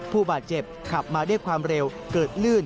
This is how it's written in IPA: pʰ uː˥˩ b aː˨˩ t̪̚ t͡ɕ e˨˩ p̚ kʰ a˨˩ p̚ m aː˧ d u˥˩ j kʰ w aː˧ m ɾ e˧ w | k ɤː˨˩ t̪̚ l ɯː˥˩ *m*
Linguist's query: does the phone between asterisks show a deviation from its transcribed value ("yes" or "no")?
yes